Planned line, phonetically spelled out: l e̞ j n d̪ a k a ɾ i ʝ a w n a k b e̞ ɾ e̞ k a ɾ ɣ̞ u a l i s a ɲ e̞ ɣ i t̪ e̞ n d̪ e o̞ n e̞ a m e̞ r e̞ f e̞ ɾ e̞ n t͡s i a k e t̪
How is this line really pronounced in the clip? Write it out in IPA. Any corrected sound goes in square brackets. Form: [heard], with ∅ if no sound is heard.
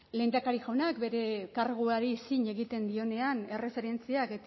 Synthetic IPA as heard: l e̞ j n d̪ a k a ɾ i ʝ a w n a k b e̞ ɾ e̞ k a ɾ ɣ̞ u a [ɾ] i s [i] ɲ e̞ ɣ i t̪ e̞ n d̪ [i] o̞ n e̞ a [n] e̞ r e̞ f e̞ ɾ e̞ n t͡s i a k e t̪